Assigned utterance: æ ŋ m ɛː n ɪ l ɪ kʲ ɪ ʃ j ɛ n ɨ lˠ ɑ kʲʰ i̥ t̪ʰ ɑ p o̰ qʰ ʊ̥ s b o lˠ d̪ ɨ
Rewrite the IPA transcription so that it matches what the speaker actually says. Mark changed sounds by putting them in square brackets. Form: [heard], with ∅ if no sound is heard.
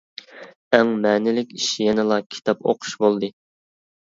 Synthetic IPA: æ ŋ m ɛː n ɪ l ɪ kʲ [i] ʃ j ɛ n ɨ lˠ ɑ kʲʰ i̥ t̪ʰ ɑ p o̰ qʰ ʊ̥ [ʃ] b o lˠ d̪ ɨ

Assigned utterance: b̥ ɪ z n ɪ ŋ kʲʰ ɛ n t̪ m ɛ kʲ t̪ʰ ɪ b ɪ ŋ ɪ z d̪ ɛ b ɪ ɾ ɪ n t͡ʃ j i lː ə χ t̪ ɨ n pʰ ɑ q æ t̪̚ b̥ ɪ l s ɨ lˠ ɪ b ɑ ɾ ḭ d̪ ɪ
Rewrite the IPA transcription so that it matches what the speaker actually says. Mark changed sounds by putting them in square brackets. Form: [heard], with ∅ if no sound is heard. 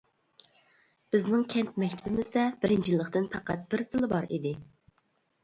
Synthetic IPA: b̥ ɪ z n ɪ ŋ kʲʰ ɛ n t̪ m ɛ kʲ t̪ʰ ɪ b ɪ [m] ɪ z d̪ ɛ b ɪ ɾ ɪ n t͡ʃ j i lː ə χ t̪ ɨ n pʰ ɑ q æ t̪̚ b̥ ɪ [ɾ] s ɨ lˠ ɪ b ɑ ɾ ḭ d̪ ɪ

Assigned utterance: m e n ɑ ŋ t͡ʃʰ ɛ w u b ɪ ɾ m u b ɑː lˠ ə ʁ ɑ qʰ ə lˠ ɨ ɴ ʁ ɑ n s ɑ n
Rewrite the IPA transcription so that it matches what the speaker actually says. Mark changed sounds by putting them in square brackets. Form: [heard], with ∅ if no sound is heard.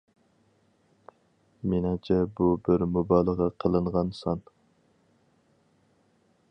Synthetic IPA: m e n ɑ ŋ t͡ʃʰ ɛ [b] u b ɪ ɾ m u b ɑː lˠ ə ʁ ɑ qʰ ə lˠ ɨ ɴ ʁ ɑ n s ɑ n

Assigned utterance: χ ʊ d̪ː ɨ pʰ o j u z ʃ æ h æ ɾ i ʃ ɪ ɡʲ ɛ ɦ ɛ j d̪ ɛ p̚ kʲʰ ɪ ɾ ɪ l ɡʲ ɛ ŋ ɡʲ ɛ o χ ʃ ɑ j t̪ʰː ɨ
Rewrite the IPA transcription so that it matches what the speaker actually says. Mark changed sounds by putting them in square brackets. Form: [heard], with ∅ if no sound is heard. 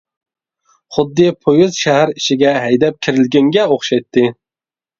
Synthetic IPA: χ ʊ d̪ː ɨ pʰ o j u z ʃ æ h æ ɾ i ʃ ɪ ɡʲ ɛ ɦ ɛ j d̪ ɛ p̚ kʲʰ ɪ ɾ ɪ l ɡʲ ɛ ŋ ɡʲ ɛ o χ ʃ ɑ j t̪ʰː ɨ

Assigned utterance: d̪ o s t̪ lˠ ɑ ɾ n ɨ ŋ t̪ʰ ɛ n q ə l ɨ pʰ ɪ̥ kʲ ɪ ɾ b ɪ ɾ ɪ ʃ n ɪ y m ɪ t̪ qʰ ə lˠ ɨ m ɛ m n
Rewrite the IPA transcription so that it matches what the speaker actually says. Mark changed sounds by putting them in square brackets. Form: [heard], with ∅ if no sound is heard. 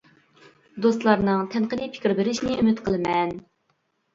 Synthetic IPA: d̪ o s t̪ lˠ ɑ ɾ n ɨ ŋ t̪ʰ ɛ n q ə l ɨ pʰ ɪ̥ kʲ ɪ ɾ b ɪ ɾ ɪ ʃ n ɪ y m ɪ t̪ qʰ ə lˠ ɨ m ɛ [∅] n

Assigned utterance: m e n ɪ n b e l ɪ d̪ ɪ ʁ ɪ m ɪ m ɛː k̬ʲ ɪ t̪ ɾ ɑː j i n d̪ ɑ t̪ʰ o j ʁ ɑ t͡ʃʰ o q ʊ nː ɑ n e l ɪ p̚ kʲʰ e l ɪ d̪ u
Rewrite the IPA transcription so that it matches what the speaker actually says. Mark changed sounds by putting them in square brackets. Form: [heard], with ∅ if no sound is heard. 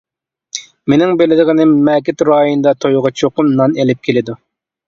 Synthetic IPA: m e n ɪ [ŋ] b e l ɪ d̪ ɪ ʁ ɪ [n] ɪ m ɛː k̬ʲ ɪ t̪ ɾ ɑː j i n d̪ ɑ t̪ʰ o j ʁ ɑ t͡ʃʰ o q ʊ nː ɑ n e l ɪ p̚ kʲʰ e l ɪ d̪ u

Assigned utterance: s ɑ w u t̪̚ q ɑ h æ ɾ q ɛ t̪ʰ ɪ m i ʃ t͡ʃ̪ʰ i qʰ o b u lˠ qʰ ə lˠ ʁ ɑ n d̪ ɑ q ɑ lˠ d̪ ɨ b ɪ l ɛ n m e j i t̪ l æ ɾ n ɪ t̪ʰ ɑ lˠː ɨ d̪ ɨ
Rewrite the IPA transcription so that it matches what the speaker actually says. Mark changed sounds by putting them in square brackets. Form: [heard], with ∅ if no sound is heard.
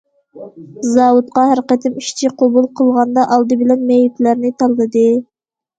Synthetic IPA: [z] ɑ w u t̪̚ q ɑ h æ ɾ q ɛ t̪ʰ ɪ m i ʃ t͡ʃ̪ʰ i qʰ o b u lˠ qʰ ə lˠ ʁ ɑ n d̪ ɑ [ʔ] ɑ lˠ d̪ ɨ b ɪ l ɛ n m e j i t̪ l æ ɾ n ɪ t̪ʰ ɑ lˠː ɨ d̪ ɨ

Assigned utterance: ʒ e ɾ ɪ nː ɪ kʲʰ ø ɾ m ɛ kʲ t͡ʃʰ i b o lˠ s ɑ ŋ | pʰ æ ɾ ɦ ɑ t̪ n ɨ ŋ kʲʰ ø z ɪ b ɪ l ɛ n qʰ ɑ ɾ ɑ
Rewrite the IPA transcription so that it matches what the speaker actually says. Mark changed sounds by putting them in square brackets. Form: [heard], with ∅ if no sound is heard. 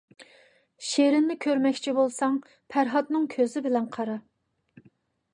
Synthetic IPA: [ʃ] e ɾ ɪ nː ɪ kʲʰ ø ɾ m ɛ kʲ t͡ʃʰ i b o lˠ s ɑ ŋ | pʰ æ ɾ ɦ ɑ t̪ n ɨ ŋ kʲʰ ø z ɪ b ɪ l ɛ n qʰ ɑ ɾ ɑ

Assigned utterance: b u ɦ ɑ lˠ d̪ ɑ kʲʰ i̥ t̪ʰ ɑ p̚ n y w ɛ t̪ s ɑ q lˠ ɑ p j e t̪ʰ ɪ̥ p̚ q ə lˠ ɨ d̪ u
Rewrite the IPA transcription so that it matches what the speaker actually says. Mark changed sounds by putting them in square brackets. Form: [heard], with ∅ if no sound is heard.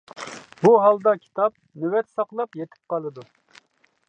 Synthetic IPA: b u ɦ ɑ lˠ d̪ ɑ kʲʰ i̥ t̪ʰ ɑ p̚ n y w ɛ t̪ s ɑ q lˠ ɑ p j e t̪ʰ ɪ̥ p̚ q [ɑ] lˠ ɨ d̪ u

